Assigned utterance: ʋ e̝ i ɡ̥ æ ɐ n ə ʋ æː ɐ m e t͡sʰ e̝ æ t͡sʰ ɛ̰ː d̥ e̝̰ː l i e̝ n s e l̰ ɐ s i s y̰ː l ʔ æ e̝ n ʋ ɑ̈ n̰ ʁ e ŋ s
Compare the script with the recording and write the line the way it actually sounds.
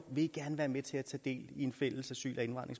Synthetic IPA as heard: ʋ e̝ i ɡ̥ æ ɐ n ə ʋ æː ɐ m e t͡sʰ e̝ æ t͡sʰ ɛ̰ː d̥ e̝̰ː l i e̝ n f e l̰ ə s æ s y̰ː l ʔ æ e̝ n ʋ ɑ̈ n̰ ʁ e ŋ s